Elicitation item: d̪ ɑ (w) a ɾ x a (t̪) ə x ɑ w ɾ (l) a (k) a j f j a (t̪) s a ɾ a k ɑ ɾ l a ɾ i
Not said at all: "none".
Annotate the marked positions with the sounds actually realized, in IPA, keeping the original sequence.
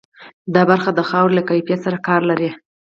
b, d̪, l, k, t̪

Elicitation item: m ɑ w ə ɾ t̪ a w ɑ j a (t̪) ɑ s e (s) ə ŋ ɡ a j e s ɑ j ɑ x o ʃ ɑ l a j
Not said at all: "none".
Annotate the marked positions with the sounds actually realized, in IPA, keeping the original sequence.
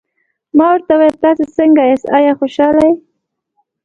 t̪, s

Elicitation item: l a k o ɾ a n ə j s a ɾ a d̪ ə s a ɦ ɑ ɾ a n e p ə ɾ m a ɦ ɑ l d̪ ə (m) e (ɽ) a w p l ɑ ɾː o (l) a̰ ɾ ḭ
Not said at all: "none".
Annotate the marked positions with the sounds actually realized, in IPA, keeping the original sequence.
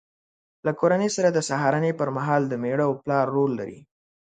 m, ɽ, lː

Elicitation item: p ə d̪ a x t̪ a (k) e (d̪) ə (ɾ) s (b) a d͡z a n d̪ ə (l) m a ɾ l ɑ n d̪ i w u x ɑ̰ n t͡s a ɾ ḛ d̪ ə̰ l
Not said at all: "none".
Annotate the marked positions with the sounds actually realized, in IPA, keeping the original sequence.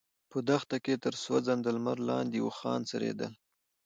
k, t̪, ɾ, w, l

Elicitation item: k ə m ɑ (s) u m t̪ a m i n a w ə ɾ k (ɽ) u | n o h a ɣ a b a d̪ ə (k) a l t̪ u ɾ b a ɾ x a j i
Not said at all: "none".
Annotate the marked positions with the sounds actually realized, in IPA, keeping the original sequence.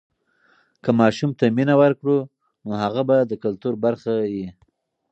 ʃ, ɽ, k

